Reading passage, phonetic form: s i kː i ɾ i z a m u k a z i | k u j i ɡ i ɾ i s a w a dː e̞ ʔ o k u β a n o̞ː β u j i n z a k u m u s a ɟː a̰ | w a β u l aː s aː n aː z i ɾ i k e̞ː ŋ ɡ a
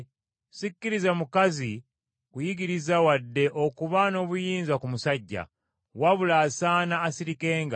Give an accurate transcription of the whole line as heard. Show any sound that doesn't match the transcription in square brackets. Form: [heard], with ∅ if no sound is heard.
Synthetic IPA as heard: s i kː i ɾ i z a m u k a z i | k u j i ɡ i ɾ i [z] a w a dː e̞ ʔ o k u β a n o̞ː β u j [iː] n z a k u m u s a ɟː a̰ | w a β u l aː s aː n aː [s] i ɾ i k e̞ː ŋ ɡ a